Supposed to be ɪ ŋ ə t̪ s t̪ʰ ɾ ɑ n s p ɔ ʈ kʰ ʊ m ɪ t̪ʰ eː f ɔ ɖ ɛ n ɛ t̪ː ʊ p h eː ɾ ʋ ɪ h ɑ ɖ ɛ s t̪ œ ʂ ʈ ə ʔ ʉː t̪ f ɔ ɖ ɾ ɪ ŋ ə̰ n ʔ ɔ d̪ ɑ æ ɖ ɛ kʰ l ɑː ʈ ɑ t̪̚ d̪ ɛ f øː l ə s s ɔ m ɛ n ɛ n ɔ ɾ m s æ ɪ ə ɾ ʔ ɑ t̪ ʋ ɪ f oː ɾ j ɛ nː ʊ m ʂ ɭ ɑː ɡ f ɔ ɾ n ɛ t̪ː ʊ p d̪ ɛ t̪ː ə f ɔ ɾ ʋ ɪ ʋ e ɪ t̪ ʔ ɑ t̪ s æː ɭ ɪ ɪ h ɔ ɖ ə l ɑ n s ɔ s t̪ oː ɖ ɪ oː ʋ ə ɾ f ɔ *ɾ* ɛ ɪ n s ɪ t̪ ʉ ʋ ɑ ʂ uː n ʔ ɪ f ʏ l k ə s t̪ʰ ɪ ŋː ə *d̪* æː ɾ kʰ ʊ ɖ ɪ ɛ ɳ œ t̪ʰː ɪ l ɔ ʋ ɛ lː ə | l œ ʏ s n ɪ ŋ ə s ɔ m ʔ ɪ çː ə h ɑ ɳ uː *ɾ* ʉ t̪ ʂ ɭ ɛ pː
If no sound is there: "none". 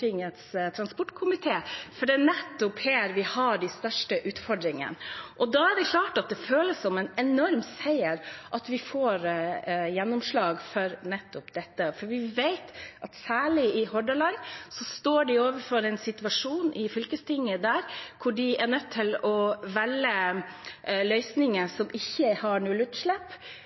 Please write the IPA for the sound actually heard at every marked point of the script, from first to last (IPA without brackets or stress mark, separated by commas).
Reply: ɾ, d̪, l